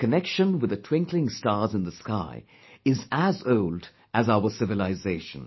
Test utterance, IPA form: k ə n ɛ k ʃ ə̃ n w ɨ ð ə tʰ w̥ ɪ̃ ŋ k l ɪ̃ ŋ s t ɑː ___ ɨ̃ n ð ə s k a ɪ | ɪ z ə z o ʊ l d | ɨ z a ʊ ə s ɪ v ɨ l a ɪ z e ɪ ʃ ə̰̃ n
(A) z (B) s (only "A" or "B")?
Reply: A